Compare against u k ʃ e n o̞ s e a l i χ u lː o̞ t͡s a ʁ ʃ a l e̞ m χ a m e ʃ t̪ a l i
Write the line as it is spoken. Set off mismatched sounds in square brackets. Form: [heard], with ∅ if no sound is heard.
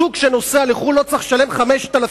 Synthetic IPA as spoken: u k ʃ e n o̞ s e a l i χ u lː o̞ t͡s a [χ] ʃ a l e̞ m χ a m e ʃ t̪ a l [a]